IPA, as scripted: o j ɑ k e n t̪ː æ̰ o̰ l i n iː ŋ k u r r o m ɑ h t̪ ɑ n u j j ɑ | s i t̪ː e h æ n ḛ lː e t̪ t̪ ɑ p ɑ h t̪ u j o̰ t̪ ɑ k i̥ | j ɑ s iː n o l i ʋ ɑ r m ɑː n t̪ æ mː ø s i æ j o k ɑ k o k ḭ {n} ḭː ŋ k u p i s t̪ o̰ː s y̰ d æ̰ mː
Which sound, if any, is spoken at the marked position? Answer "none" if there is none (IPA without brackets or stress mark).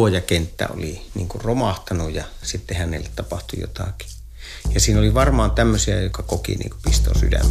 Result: n